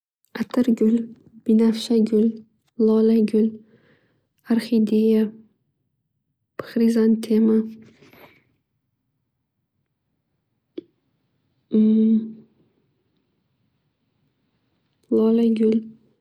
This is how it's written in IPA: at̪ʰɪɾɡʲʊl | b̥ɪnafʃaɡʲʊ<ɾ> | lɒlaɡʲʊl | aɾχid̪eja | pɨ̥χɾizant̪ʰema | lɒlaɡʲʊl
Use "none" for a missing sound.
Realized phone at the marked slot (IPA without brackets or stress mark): l